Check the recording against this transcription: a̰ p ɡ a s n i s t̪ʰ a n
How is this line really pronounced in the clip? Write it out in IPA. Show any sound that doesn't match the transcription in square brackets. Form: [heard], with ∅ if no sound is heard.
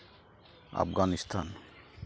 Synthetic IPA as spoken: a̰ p ɡ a [∅] n i s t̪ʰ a n